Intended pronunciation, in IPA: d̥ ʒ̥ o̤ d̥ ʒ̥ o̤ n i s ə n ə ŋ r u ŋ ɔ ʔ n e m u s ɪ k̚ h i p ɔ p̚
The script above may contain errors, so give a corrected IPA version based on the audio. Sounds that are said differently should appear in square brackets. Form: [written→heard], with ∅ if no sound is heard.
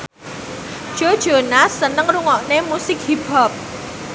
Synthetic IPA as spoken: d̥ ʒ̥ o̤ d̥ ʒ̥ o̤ n [i→a] s ə n ə ŋ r u ŋ ɔ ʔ n e m u s ɪ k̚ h i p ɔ p̚